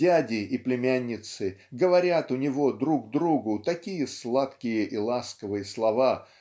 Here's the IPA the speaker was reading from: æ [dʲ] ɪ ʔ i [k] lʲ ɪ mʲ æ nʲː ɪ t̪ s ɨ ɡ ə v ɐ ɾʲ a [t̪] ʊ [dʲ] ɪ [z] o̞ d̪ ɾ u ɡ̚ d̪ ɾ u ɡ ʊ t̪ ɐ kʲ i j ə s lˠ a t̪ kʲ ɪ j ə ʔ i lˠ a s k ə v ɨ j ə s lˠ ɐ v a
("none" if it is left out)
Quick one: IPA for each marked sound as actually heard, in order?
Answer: dʲ, p, t̪, nʲ, v

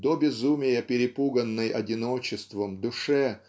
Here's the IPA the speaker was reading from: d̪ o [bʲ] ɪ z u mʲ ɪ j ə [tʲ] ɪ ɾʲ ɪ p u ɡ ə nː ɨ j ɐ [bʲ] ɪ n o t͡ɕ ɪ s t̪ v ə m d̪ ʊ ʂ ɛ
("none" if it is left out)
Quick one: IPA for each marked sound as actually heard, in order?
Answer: bʲ, pʲ, dʲ

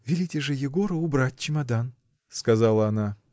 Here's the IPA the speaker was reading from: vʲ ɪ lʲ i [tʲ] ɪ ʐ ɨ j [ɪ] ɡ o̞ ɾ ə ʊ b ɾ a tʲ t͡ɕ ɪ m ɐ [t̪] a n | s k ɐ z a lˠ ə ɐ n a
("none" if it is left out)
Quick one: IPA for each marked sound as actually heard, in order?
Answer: tʲ, ɪ, d̪

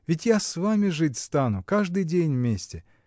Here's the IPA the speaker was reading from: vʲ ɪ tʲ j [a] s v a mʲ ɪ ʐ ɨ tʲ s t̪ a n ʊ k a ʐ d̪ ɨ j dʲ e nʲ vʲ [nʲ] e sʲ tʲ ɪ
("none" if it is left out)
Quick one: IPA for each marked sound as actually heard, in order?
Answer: a, mʲ

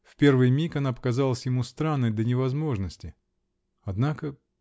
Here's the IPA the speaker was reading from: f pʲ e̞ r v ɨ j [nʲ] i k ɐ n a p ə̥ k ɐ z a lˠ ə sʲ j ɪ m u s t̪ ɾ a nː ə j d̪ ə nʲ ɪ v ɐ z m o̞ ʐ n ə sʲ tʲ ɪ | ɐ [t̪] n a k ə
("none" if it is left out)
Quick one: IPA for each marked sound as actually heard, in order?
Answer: mʲ, d̪

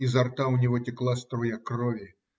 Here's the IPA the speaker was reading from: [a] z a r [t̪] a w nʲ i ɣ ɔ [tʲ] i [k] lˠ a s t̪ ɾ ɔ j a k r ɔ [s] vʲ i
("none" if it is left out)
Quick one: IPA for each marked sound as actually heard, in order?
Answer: i, t̪, tʲ, k, none

